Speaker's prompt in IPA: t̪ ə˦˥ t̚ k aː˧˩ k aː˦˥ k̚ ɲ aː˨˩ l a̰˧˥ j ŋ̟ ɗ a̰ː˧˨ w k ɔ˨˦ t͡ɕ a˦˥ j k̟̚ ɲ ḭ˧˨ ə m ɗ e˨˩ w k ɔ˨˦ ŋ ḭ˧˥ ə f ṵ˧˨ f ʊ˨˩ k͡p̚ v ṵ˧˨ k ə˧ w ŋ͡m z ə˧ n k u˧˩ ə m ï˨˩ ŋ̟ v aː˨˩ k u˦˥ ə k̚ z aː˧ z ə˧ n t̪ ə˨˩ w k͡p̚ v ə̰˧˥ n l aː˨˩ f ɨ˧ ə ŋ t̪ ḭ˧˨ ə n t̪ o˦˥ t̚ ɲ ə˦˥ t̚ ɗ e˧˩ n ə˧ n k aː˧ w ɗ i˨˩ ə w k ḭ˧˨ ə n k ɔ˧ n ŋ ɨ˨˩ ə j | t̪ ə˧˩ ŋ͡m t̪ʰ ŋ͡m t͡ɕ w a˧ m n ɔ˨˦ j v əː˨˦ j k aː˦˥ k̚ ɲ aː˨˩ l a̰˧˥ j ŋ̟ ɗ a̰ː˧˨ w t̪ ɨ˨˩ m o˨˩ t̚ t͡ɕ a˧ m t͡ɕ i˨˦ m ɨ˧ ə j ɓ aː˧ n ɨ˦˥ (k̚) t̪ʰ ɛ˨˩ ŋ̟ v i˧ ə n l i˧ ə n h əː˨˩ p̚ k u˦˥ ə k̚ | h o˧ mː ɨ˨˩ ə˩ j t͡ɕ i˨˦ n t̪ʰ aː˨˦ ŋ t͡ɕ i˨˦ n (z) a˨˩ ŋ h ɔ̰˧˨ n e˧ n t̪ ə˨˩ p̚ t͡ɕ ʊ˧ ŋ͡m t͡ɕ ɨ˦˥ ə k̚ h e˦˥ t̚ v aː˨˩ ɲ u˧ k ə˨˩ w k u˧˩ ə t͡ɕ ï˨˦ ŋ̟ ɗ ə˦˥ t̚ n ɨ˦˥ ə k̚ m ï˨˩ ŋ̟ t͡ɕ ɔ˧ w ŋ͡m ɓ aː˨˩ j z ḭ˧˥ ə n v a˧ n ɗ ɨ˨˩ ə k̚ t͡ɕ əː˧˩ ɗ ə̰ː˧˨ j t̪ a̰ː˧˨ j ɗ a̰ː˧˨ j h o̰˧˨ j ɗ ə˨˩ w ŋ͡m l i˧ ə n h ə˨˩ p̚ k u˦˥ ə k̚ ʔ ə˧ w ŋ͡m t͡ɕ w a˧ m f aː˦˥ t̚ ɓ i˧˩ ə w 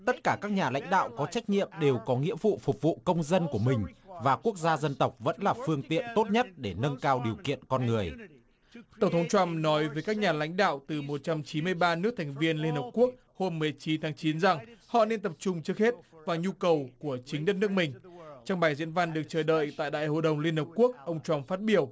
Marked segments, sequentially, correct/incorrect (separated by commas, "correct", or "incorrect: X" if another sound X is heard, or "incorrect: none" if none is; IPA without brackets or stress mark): correct, correct